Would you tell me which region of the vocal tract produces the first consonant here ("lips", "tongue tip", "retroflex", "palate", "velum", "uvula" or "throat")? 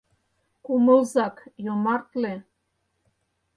velum